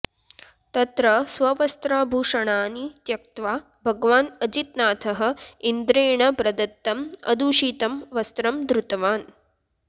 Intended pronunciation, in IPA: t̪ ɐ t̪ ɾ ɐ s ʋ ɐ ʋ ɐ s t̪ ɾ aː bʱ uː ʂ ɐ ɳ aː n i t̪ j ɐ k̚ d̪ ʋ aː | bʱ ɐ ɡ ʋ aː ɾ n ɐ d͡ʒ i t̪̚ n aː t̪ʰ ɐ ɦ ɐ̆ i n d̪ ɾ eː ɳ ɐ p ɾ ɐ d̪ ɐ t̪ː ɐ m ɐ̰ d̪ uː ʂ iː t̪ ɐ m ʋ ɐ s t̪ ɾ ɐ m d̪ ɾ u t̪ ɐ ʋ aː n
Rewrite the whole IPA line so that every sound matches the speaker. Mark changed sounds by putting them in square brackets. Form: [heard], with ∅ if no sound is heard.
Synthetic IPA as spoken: t̪ ɐ t̪ ɾ ɐ s ʋ ɐ ʋ ɐ s t̪ ɾ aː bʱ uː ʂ ɐ ɳ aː n i t̪ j ɐ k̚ [t̪] ʋ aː | bʱ ɐ ɡ ʋ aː [∅] n ɐ d͡ʒ i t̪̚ n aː t̪ʰ ɐ ɦ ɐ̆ i n d̪ ɾ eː ɳ ɐ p ɾ ɐ d̪ ɐ t̪ː ɐ m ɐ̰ d̪ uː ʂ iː t̪ ɐ m ʋ ɐ s t̪ ɾ ɐ m d̪ ɾ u t̪ ɐ ʋ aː n